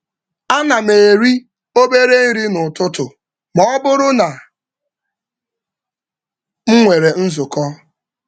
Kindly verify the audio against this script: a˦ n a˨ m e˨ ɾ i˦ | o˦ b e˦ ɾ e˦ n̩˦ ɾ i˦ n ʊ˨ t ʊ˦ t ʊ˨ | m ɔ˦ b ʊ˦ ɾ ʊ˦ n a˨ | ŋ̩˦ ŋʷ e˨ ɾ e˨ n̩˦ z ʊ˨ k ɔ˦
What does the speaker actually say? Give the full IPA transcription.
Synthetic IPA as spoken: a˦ n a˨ m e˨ ɾ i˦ | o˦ b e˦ ɾ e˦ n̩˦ ɾ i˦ n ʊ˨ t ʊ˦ t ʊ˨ | m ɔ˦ b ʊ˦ ɾ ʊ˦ n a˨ | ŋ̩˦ ŋʷ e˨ ɾ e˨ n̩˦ z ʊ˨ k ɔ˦